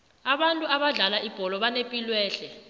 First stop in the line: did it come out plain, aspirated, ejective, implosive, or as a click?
implosive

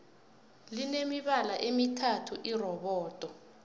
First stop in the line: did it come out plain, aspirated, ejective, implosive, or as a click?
implosive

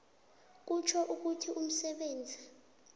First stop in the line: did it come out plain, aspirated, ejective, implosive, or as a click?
plain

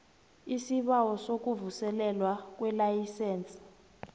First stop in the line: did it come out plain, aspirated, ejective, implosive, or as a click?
implosive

